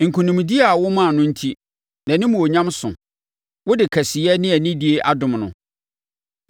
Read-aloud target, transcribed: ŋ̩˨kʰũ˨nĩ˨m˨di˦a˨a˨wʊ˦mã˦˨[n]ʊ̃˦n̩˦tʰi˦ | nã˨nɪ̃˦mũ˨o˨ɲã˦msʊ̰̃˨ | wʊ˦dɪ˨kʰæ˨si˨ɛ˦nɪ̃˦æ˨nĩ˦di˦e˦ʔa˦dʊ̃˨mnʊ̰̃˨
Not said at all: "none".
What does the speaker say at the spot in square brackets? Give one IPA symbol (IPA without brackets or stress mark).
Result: n